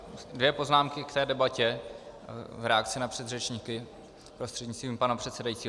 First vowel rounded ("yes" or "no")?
no